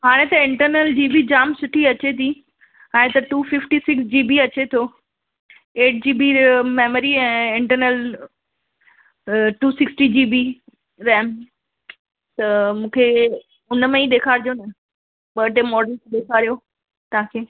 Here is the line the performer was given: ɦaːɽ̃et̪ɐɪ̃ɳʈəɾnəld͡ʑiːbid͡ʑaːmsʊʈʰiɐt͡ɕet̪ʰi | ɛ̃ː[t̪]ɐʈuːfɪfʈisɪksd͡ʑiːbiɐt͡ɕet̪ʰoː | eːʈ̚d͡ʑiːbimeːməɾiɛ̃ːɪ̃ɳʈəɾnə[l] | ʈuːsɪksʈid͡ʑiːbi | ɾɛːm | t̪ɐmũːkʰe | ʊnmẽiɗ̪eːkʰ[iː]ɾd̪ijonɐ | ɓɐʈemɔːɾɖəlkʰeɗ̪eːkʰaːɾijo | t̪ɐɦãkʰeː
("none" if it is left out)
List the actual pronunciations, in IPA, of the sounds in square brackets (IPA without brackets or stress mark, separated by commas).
t̪, l, aː